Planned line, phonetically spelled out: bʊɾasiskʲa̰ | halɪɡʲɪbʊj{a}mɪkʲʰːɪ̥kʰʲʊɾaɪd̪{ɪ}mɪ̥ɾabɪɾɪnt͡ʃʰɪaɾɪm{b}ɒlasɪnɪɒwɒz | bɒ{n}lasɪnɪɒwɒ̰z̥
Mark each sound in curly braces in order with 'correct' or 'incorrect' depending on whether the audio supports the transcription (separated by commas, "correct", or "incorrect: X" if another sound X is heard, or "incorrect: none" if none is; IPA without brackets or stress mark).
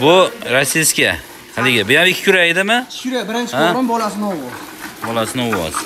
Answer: correct, correct, correct, incorrect: none